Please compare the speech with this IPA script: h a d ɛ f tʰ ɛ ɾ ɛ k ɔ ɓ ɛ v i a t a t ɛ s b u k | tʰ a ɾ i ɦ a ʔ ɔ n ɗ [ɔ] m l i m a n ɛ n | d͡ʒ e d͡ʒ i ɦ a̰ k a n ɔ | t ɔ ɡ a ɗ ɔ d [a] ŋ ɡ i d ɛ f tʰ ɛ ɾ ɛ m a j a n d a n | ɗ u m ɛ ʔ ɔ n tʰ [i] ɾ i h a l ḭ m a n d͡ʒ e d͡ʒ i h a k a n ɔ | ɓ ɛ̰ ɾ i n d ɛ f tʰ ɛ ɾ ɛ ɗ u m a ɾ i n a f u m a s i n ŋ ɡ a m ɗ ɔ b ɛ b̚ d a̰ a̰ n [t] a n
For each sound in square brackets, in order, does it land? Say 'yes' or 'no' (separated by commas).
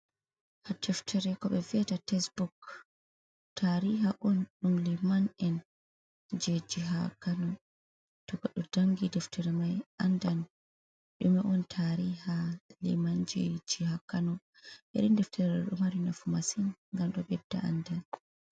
no, yes, no, no